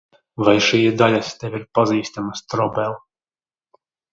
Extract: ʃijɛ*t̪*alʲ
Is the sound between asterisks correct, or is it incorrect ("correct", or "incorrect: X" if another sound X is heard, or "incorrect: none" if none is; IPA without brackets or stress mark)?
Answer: incorrect: d̪